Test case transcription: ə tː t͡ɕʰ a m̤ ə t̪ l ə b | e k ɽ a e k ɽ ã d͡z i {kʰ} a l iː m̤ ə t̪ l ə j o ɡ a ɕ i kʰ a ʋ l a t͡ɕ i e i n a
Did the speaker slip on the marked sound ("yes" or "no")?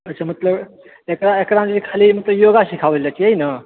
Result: no